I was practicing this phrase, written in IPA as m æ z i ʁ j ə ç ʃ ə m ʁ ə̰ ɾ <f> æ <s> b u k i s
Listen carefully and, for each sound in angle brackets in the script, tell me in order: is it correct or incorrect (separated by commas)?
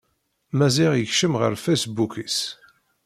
correct, correct